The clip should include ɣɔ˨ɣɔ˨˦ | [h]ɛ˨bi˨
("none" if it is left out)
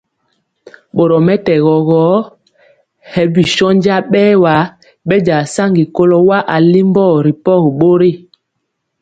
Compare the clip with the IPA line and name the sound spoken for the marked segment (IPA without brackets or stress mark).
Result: h